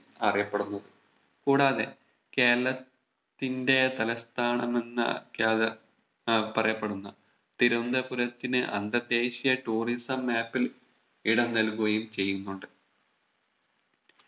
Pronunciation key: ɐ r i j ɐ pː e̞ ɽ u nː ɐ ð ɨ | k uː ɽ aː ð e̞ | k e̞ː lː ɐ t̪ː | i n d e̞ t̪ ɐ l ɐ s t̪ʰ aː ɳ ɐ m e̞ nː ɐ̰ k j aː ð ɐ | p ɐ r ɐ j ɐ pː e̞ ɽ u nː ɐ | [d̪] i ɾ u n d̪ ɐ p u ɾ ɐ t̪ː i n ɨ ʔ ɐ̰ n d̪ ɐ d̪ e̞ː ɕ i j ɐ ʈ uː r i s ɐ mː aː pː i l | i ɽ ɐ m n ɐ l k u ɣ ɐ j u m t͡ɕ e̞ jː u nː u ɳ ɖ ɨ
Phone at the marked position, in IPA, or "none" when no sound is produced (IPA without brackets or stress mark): t̪